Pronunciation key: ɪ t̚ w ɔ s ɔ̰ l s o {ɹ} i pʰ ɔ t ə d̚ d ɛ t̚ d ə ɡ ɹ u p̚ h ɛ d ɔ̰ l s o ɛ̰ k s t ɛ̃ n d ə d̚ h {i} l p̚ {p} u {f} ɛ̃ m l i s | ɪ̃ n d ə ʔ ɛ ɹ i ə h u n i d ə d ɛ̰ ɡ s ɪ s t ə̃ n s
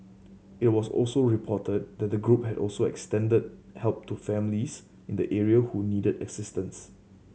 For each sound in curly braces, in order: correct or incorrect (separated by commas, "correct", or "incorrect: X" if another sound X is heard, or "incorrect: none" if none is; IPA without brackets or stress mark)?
correct, incorrect: ɛ, incorrect: t, correct